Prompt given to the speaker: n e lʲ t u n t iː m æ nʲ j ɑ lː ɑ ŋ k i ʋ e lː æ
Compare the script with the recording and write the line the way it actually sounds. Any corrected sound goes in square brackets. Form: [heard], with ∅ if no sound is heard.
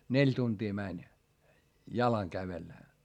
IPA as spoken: n e lʲ t u n t iː m æ nʲ j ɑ [l] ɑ ŋ k [æ] ʋ e lː æ